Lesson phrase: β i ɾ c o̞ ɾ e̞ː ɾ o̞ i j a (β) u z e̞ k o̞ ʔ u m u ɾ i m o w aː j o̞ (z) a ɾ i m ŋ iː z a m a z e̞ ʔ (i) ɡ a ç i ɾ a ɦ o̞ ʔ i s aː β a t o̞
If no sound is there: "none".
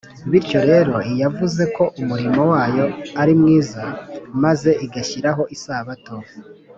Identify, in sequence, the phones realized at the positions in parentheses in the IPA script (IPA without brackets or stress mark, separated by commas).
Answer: v, none, i